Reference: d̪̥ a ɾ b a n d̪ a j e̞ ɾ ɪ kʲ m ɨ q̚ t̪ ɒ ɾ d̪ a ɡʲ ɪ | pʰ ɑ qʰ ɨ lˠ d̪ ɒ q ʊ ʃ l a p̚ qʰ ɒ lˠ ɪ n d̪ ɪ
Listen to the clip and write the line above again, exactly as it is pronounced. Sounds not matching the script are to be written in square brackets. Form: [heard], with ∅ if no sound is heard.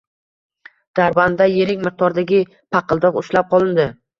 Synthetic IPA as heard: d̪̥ a ɾ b a n d̪ a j e̞ ɾ ɪ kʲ m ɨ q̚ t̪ ɒ ɾ d̪ a ɡʲ ɪ | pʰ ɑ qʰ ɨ lˠ d̪ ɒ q ʊ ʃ l a p̚ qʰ ɒ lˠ ɪ n d̪ ɪ